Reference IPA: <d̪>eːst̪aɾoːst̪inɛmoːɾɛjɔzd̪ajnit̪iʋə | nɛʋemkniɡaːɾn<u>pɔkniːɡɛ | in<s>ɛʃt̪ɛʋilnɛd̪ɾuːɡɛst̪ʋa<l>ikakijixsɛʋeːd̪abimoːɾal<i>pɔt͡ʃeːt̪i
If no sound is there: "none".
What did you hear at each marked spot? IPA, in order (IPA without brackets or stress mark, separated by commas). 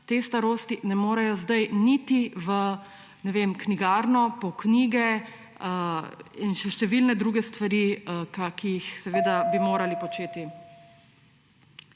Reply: t̪, ɔ, ʃ, ɾ, i